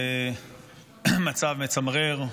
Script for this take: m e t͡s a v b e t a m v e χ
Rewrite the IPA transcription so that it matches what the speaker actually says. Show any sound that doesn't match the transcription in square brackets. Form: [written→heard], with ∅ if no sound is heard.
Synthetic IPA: m [e→a] t͡s a v [b→m] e [t→t͡s] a m [v→ʁ] e [χ→ʁ]